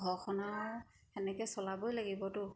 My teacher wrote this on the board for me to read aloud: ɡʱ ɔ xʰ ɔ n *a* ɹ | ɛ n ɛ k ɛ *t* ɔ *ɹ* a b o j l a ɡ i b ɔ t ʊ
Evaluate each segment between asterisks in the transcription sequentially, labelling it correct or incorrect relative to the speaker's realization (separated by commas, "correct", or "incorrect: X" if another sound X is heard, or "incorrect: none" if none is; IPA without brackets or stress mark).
correct, incorrect: s, incorrect: l